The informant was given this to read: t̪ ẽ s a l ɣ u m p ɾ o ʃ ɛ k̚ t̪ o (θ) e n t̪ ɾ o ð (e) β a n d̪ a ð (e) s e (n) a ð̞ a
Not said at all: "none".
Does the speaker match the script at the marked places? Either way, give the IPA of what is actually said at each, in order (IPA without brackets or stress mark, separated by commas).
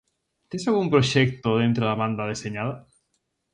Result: ð, a, e, ɲ